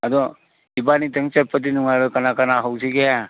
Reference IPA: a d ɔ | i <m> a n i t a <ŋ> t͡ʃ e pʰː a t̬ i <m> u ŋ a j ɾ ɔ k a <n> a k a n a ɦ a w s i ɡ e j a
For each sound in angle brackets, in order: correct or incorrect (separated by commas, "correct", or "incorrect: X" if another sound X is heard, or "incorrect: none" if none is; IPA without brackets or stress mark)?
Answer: incorrect: b, correct, incorrect: n, correct